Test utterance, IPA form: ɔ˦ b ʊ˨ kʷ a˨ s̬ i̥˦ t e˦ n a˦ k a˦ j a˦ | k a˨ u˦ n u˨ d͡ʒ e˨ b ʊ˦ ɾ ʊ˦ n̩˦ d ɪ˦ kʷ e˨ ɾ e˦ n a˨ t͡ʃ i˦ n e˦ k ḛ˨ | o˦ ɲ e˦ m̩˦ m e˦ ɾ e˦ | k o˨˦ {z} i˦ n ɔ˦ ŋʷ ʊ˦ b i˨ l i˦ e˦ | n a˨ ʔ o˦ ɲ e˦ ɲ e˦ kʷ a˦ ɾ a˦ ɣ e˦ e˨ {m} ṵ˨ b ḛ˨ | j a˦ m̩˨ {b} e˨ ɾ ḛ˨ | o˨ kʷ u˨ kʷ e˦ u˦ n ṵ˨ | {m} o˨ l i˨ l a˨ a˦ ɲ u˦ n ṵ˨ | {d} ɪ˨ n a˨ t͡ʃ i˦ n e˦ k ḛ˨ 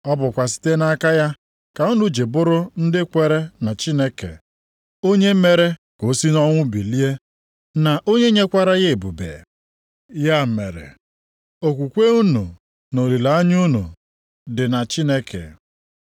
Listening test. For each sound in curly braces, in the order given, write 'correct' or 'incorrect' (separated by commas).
incorrect, incorrect, incorrect, incorrect, correct